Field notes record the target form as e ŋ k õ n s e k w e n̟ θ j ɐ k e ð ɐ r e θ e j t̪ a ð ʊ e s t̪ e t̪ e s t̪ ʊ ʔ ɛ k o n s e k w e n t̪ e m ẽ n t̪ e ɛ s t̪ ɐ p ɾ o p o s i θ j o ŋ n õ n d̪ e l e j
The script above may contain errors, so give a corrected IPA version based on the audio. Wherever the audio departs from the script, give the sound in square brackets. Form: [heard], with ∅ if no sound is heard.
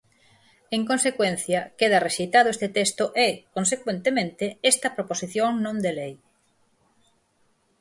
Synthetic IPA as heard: e ŋ k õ n s e k w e n̟ θ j ɐ k e ð ɐ r e [ʃ] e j t̪ a ð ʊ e s t̪ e t̪ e s t̪ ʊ ʔ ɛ k o n s e k w e n t̪ e m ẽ n t̪ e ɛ s t̪ ɐ p ɾ o p o s i θ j o ŋ n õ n d̪ e l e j